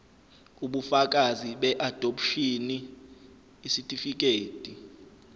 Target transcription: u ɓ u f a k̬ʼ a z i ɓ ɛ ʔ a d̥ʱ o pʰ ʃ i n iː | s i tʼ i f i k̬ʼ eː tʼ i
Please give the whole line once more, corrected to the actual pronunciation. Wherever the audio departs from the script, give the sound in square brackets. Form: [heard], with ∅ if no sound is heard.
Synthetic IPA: u ɓ u f a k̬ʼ a z i ɓ ɛ ʔ a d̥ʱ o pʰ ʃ i n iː | s i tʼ i f i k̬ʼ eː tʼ i